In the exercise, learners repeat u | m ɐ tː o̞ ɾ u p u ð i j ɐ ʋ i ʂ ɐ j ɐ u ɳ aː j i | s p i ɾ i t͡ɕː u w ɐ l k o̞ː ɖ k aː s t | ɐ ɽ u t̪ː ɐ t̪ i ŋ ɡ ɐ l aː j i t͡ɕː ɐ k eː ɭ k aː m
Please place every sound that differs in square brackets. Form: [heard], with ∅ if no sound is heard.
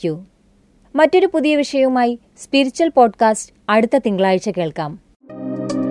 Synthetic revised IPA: u | m ɐ tː o̞ ɾ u p u ð i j ɐ ʋ i ʂ ɐ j ɐ u [m] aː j i | s p i ɾ i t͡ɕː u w ɐ l [p] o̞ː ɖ k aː s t | ɐ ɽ u t̪ː ɐ t̪ i ŋ ɡ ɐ [ɭ] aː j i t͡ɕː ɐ k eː ɭ k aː m